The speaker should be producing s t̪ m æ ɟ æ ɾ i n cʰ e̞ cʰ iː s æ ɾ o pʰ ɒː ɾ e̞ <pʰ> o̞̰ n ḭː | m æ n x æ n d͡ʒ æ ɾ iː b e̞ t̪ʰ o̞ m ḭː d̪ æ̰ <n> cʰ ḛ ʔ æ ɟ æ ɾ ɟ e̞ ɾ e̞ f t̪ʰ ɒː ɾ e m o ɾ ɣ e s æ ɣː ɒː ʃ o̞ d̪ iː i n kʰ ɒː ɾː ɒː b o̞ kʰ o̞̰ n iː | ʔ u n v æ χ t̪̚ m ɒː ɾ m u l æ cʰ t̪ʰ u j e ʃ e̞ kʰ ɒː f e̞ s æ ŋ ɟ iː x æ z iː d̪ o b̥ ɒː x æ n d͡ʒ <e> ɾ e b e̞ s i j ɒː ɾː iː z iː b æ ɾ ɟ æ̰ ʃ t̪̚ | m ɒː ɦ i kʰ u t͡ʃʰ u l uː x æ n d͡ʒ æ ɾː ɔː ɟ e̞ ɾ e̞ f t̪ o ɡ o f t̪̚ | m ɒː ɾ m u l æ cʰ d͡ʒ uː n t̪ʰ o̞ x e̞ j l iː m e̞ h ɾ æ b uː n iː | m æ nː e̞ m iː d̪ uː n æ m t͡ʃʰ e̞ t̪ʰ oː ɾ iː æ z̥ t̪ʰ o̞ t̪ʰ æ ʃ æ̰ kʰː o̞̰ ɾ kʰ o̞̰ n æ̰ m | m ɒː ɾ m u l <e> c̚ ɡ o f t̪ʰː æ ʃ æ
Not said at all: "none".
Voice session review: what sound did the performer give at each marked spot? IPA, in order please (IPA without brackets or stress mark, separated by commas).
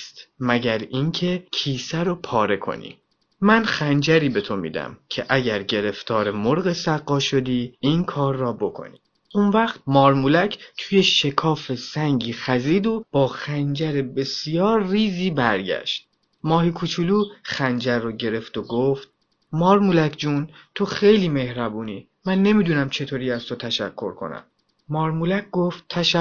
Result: kʰ, m, æ, æ